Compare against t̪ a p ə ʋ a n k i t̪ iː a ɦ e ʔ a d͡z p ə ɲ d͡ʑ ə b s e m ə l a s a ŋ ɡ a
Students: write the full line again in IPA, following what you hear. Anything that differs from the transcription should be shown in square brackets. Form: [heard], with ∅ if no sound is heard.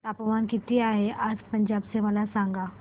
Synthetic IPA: t̪ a p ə ʋ a n k i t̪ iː a ɦ e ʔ a d͡z p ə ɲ d͡ʑ [a] b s e m ə l a s a ŋ ɡ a